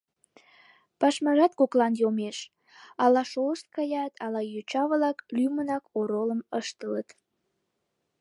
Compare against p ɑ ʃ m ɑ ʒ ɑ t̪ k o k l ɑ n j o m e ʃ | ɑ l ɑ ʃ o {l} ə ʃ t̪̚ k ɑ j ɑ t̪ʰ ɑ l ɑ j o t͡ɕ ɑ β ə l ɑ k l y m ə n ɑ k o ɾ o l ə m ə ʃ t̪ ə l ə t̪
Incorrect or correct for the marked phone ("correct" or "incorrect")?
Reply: correct